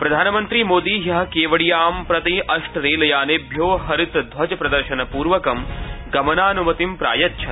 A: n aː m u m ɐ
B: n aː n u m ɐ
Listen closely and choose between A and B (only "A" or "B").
B